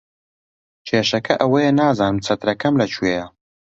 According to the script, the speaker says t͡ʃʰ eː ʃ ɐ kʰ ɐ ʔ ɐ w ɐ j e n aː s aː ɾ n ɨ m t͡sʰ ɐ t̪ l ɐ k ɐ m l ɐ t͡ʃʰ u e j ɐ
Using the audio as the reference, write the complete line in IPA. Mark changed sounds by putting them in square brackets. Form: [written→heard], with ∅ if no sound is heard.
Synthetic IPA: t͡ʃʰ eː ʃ ɐ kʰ ɐ ʔ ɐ w ɐ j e n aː [s→z] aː [ɾ→∅] n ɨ m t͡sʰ ɐ t̪ [l→ɾ] ɐ k ɐ m l ɐ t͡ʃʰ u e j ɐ